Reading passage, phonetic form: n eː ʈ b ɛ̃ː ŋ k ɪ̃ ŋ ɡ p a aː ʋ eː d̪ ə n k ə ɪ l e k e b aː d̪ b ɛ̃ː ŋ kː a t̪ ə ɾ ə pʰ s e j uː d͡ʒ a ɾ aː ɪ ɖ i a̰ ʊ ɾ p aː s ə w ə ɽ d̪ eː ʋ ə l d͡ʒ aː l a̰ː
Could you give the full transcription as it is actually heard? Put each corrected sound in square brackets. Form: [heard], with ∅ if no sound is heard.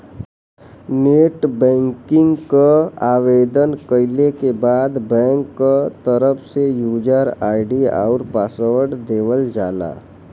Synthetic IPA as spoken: n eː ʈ b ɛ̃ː ŋ k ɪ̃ ŋ ɡ [k] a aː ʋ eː d̪ ə n k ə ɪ l e k e b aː d̪ b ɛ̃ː ŋ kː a t̪ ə ɾ ə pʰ s e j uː d͡ʒ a ɾ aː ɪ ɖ i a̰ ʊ ɾ p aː s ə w ə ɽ d̪ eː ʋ ə l d͡ʒ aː l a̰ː